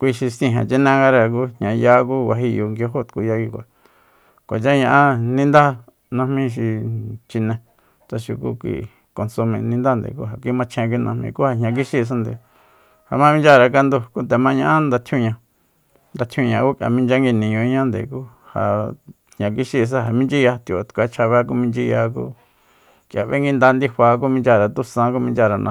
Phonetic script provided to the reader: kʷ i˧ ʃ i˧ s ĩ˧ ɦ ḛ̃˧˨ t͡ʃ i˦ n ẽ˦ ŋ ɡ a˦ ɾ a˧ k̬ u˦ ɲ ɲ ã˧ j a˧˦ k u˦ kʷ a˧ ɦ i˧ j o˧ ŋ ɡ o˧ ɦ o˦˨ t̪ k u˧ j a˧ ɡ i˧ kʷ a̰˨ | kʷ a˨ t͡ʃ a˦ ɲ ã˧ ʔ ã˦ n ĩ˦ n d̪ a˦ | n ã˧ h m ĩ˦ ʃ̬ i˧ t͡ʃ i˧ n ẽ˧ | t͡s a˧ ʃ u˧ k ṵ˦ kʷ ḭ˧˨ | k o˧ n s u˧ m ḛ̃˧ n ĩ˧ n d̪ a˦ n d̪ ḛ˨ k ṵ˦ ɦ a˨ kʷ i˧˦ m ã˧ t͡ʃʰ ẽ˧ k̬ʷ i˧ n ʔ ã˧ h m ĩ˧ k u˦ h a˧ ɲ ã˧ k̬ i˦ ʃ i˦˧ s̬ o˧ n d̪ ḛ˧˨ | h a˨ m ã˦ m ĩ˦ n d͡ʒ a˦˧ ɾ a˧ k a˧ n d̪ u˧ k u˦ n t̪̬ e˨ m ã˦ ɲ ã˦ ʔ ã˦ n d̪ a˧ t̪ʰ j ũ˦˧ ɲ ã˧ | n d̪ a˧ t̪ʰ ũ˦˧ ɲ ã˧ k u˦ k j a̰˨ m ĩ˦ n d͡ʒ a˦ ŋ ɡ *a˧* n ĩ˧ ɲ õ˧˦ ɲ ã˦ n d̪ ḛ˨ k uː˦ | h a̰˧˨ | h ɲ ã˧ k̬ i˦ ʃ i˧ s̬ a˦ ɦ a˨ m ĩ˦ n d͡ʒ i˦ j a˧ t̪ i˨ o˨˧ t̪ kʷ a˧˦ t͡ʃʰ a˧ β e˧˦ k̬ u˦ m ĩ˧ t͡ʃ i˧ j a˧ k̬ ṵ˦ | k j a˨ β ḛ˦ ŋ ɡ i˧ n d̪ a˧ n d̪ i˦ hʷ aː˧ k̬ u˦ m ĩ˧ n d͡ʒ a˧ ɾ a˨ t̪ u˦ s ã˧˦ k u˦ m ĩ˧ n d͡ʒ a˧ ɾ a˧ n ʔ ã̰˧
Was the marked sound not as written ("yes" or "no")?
yes